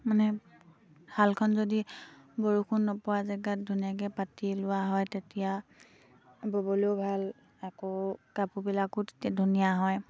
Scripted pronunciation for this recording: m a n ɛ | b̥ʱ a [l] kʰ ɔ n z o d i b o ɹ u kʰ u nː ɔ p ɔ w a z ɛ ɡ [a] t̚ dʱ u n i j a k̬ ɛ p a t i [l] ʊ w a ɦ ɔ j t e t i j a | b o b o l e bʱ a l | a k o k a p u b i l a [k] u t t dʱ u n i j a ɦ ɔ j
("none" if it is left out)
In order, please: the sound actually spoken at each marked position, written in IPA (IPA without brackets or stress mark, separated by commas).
l, a, l, k